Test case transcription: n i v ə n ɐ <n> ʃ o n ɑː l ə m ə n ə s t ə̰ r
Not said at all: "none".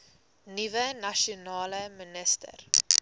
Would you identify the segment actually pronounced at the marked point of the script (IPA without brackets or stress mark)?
none